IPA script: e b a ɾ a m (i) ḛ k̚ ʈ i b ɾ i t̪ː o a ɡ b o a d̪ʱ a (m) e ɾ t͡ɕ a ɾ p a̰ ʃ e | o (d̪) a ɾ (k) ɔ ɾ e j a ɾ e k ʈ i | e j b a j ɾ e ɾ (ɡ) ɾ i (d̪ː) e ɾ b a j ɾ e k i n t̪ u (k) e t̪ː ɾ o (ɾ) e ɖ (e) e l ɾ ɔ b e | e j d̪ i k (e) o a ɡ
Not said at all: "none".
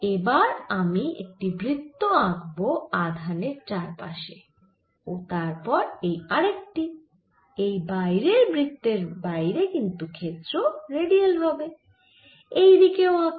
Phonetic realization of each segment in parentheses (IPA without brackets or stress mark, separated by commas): i, n, t̪, p, b, t̪ː, kʰ, ɾ, i, e